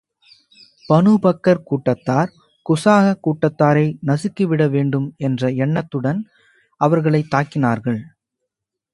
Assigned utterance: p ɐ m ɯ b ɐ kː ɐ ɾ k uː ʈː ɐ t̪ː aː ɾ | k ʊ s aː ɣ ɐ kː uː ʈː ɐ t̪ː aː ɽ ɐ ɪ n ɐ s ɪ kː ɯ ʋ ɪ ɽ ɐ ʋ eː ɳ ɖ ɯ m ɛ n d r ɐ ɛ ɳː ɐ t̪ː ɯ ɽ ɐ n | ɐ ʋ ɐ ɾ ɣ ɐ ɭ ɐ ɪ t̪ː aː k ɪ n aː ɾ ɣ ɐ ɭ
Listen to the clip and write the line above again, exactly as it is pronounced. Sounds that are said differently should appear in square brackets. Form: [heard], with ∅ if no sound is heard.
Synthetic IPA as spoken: p ɐ [n] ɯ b ɐ kː ɐ ɾ k uː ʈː ɐ t̪ː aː ɾ | k ʊ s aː ɣ ɐ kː uː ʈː ɐ t̪ː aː [ɾ] ɐ ɪ n ɐ s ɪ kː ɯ ʋ ɪ ɽ ɐ ʋ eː ɳ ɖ ɯ m ɛ n d r ɐ ɛ ɳː ɐ t̪ː ɯ ɽ ɐ n | ɐ ʋ ɐ ɾ ɣ ɐ ɭ ɐ ɪ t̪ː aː k ɪ n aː ɾ ɣ ɐ ɭ